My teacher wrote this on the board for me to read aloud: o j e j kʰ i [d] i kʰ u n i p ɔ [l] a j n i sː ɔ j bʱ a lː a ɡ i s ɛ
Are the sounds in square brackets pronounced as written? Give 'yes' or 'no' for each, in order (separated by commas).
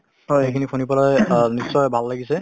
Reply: no, yes